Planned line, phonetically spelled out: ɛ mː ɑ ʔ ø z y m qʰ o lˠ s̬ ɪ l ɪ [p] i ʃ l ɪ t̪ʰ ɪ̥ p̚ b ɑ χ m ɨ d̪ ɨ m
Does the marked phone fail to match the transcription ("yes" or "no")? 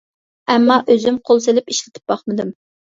no